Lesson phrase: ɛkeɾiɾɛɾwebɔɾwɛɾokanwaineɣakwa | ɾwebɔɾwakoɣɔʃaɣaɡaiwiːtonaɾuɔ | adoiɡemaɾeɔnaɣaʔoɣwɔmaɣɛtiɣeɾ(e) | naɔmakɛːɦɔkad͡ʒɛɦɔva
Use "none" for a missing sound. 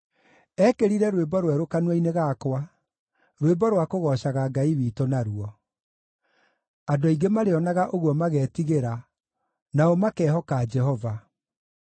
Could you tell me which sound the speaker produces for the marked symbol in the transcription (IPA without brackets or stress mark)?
a